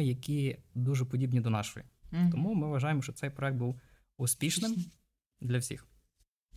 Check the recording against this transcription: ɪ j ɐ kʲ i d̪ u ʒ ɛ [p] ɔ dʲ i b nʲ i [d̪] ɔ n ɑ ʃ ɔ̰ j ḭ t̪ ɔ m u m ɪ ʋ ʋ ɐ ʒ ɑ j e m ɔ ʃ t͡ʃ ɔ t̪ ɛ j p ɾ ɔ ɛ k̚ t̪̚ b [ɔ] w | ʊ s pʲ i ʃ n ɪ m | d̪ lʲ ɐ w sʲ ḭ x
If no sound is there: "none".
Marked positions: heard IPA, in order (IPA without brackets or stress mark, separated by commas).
p, d̪, u